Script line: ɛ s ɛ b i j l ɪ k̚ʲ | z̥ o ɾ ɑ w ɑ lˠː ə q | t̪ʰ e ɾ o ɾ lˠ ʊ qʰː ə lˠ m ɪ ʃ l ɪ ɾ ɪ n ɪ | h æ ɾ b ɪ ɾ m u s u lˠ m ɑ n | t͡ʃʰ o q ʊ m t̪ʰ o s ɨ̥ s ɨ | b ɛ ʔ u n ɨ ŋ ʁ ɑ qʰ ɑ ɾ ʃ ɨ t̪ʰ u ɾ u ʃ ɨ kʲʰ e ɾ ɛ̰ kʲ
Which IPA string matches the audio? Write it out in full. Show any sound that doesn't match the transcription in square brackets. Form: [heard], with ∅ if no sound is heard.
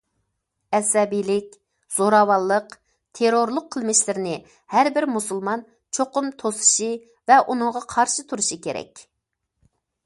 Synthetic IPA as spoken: ɛ s ɛ b i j l ɪ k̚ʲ | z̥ o ɾ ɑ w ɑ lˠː ə q | t̪ʰ e ɾ o ɾ lˠ ʊ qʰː ə lˠ m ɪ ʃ l ɪ ɾ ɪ n ɪ | h æ ɾ b ɪ ɾ m u s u lˠ m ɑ n | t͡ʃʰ o q ʊ m t̪ʰ o s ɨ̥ [ʃ] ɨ | [v] ɛ ʔ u n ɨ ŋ ʁ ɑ qʰ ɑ ɾ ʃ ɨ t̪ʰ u ɾ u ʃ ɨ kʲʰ e ɾ ɛ̰ kʲ